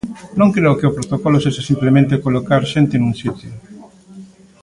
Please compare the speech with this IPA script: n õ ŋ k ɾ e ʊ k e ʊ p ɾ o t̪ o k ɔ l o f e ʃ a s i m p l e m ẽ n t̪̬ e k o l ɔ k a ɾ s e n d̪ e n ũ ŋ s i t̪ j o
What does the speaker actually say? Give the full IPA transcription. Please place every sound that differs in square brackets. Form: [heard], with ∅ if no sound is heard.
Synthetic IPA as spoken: n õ ŋ k ɾ e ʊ k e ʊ p ɾ o t̪ o k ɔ l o [s] e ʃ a s i m p l e m ẽ n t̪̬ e k o l [o] k a ɾ [ʃ] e n [t̪] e n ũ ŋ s i t̪ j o